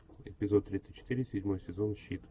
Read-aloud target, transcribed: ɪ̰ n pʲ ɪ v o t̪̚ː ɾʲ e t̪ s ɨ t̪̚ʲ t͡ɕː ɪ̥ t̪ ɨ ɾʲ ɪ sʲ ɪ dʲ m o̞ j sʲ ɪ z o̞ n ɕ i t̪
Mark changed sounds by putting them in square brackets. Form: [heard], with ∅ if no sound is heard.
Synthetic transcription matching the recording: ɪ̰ [∅] pʲ ɪ [z] o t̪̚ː ɾʲ [i] t̪ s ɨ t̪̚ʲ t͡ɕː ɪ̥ t̪ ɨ ɾʲ ɪ sʲ ɪ dʲ m o̞ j sʲ ɪ z o̞ n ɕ i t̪